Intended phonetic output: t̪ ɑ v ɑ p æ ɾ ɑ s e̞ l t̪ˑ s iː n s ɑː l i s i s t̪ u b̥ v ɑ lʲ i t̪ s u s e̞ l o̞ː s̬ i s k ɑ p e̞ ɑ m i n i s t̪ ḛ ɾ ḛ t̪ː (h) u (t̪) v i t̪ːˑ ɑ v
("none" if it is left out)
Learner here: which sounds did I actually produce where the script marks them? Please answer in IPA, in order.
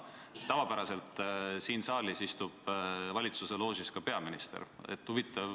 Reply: h, none

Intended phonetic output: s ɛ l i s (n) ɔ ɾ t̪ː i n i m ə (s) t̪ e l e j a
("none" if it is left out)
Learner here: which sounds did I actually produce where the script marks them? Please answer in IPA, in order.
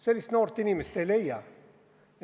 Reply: n, s

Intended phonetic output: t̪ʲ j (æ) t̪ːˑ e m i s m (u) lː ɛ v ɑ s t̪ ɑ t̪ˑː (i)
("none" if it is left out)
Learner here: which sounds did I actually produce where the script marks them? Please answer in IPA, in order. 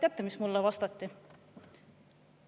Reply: æ, u, i

